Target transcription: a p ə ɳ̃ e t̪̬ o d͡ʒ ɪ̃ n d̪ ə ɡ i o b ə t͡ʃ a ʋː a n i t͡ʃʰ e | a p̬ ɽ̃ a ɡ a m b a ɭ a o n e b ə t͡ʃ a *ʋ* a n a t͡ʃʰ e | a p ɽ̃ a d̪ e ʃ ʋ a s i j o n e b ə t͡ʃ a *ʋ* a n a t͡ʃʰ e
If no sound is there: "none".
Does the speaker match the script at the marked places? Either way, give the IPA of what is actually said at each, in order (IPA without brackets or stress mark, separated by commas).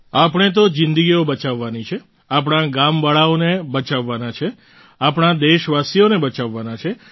ʋː, ʋː